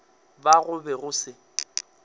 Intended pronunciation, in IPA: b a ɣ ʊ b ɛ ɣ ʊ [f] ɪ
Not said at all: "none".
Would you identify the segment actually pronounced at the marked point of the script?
s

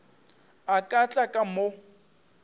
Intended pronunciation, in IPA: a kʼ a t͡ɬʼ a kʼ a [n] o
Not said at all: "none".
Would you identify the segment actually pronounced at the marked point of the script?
m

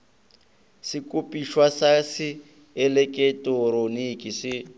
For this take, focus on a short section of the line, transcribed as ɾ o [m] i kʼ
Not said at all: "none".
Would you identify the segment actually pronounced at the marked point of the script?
n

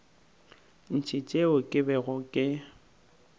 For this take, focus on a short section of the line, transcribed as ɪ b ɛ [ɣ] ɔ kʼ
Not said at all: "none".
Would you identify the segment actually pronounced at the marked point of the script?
ɣ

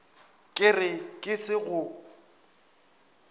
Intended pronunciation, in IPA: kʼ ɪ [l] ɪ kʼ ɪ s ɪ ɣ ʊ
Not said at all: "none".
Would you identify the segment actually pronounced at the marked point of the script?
r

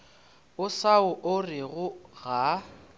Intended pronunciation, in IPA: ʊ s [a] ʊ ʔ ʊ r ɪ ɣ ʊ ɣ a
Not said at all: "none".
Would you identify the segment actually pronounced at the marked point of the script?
a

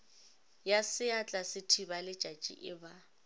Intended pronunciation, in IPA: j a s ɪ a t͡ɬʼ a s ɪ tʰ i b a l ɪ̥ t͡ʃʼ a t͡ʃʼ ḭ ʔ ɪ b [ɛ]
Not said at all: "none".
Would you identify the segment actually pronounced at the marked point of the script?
a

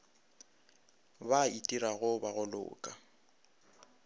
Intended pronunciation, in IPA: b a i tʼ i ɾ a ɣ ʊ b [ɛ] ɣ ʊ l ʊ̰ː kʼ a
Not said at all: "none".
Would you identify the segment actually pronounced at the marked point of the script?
a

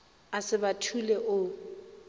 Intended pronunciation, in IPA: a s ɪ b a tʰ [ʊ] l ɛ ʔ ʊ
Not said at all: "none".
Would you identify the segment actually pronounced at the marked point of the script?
u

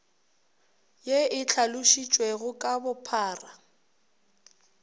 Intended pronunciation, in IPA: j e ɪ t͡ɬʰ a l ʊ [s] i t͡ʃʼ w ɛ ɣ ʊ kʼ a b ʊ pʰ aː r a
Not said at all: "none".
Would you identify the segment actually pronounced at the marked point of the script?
ʃ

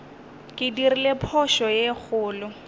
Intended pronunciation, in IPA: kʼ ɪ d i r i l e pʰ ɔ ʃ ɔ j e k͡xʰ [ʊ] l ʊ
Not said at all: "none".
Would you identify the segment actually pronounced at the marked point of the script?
ʊː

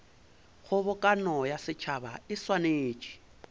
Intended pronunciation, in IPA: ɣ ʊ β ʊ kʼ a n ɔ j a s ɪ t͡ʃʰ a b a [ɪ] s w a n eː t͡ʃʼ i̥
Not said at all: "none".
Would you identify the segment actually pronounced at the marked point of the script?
ɪ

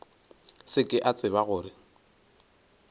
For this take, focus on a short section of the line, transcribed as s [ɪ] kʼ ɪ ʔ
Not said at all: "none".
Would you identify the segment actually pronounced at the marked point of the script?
ɪ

